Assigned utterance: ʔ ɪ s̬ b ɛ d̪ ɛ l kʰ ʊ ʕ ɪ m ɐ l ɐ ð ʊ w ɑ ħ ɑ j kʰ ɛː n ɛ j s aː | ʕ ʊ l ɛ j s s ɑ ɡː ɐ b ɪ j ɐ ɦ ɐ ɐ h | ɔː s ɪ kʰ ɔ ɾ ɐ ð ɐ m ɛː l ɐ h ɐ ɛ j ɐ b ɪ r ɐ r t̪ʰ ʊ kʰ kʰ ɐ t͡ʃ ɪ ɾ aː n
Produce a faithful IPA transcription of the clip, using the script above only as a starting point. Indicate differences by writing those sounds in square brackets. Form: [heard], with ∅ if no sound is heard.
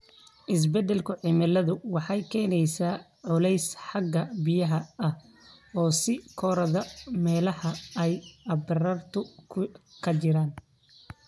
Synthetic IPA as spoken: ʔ ɪ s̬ b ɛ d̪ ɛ l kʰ ʊ ʕ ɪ m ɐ l ɐ ð ʊ w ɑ ħ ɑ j kʰ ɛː n ɛ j s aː | ʕ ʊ l ɛ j s [ħ] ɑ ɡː ɐ b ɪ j ɐ ɦ ɐ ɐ h | ɔː s ɪ kʰ ɔ ɾ ɐ ð ɐ m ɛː l ɐ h ɐ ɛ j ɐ b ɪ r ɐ r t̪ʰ ʊ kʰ kʰ ɐ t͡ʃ ɪ ɾ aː n